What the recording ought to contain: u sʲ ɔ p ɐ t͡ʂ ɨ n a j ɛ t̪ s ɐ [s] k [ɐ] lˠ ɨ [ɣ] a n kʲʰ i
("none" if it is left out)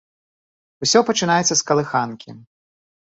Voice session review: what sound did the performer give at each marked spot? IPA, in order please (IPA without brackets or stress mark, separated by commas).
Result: s, ɐ, x